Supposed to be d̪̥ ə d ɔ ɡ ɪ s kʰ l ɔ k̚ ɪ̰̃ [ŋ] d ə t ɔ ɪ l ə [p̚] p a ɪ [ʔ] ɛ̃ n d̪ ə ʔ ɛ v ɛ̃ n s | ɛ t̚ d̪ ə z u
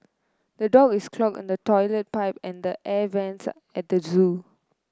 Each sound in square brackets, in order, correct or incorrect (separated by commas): incorrect, incorrect, incorrect